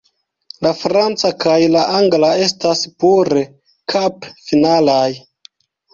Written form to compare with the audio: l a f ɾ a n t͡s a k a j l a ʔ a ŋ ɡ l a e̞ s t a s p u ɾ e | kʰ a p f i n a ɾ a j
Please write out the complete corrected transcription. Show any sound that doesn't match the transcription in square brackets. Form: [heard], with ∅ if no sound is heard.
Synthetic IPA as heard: l a f ɾ a n t͡s a k a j l a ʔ a ŋ ɡ l a e̞ s t a s p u ɾ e | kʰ a p f i n a [l] a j